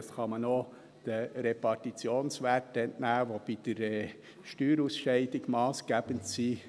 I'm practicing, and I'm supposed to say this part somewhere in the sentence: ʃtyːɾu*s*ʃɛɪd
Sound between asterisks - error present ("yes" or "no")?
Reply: no